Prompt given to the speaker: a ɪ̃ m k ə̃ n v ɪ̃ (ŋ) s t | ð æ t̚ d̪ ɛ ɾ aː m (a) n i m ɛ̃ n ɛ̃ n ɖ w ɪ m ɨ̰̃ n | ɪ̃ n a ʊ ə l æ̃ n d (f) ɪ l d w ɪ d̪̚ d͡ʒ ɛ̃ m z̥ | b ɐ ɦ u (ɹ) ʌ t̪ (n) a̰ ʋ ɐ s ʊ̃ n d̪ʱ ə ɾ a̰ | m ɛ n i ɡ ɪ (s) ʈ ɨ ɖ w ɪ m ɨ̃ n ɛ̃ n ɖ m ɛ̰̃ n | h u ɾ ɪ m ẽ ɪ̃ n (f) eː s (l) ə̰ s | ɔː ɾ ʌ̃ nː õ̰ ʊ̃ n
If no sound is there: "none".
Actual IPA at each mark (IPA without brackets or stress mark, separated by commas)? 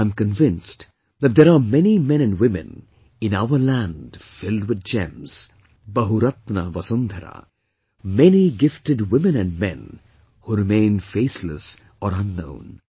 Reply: n, ɛ, f, ɾ, n, f, f, l